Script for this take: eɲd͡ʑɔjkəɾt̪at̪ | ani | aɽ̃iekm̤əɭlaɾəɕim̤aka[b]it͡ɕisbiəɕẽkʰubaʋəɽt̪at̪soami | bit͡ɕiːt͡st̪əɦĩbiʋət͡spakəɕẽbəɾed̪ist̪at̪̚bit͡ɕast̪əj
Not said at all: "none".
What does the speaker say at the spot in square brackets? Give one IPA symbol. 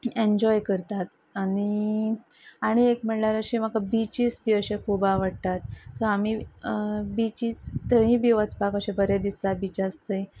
b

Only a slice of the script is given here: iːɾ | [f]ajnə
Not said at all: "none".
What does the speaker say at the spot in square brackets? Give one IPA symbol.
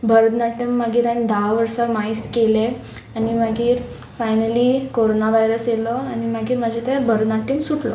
f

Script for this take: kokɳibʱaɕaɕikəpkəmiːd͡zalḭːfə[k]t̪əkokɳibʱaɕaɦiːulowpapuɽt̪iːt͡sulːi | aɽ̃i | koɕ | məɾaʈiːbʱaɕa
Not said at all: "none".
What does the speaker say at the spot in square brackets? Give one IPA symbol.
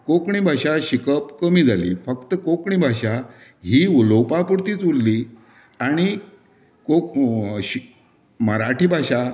k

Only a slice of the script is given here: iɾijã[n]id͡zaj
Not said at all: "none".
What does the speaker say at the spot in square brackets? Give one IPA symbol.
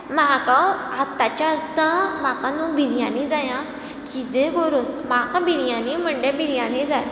n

